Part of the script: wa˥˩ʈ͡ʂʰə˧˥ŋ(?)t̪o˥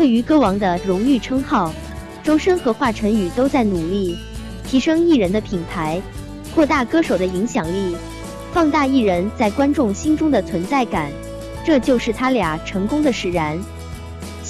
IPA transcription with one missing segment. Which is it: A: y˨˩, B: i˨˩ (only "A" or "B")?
A